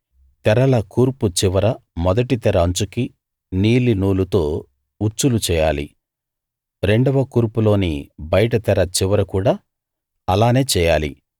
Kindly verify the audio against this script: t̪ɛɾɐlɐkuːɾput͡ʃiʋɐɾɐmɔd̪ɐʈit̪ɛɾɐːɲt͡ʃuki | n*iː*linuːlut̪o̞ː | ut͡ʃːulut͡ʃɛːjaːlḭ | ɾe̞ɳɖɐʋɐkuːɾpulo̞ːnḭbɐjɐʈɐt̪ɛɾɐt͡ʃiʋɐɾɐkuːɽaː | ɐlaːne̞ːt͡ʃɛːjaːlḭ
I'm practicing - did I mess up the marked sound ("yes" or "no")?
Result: no